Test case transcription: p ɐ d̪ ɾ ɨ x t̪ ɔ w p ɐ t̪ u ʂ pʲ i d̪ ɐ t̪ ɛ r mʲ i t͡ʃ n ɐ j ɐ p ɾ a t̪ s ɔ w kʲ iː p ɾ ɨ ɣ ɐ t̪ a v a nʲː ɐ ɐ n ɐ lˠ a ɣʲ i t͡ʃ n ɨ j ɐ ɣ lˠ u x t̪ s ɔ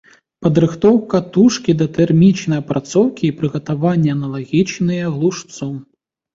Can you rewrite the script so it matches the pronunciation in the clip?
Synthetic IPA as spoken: p ɐ d̪ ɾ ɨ x t̪ ɔ w k ɐ t̪ u ʂ kʲ i d̪ ɐ t̪ ɛ r mʲ i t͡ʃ n ɐ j ɐ p ɾ a t̪ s ɔ w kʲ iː p ɾ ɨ ɣ ɐ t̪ a v a nʲː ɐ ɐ n ɐ lˠ a ɣʲ i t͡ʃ n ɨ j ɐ ɣ lˠ u ʂ t̪ s ɔ